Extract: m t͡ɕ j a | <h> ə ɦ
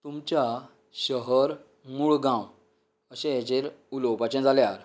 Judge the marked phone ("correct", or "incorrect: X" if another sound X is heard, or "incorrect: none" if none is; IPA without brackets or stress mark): incorrect: ɕ